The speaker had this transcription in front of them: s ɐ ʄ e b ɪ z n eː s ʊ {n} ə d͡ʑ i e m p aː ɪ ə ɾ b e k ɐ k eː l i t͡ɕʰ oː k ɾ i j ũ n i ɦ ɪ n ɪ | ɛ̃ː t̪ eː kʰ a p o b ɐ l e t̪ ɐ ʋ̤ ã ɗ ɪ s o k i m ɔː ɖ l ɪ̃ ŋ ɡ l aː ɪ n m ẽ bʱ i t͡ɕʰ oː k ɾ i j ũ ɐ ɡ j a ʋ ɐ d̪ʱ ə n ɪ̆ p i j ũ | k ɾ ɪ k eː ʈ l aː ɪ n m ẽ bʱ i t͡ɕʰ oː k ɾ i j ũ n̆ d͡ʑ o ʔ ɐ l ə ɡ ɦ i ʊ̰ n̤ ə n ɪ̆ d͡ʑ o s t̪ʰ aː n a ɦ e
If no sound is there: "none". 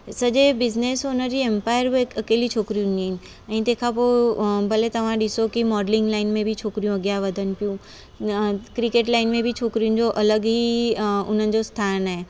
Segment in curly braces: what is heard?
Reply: n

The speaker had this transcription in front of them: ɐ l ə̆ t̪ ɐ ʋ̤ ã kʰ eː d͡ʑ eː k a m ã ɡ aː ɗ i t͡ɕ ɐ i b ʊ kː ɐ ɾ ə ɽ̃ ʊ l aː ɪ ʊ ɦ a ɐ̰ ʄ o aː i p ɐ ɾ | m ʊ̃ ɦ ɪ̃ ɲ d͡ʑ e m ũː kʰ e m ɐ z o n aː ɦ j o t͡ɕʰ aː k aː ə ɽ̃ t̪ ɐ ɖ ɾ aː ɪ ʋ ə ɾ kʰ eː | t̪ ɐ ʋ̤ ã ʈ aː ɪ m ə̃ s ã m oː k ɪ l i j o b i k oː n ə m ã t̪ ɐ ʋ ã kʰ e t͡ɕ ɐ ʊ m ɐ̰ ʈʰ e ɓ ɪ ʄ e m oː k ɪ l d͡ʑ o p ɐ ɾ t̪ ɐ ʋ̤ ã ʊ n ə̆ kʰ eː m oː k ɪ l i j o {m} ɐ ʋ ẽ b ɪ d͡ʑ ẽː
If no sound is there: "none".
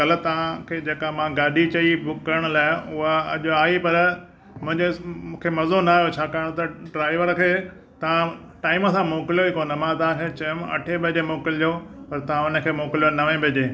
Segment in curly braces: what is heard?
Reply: n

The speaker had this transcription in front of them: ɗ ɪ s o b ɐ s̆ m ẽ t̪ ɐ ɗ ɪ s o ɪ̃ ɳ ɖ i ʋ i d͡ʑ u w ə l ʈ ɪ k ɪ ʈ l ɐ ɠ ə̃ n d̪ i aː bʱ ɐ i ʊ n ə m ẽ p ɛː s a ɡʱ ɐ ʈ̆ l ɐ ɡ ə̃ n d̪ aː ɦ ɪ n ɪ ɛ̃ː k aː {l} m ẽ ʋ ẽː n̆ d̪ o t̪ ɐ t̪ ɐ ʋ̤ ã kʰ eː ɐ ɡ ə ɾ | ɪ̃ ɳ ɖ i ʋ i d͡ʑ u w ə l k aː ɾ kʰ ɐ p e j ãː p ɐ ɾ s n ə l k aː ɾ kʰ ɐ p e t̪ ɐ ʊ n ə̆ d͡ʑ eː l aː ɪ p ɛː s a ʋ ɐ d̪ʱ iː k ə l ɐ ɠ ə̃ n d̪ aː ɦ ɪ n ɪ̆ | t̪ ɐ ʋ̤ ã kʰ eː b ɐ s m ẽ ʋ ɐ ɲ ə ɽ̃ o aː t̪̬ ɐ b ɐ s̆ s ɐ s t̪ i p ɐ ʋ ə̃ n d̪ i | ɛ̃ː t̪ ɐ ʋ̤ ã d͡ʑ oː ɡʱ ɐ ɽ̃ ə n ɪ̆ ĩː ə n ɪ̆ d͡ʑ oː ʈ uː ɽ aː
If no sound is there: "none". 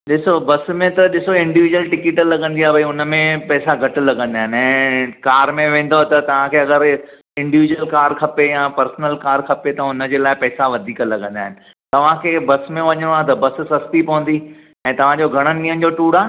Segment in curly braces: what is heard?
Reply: ɾ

